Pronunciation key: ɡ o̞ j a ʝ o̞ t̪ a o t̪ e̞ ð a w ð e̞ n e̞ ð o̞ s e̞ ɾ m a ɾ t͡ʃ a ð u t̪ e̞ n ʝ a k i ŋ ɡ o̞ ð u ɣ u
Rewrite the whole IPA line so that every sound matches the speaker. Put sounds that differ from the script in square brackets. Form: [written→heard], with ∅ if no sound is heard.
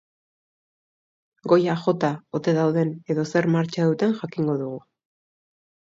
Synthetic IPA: ɡ o̞ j a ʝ o̞ t̪ a o t̪ e̞ ð a w ð e̞ n e̞ ð o̞ s e̞ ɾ m a ɾ t͡ʃ a ð u t̪ e̞ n ʝ a k i ŋ ɡ o̞ ð u ɣ u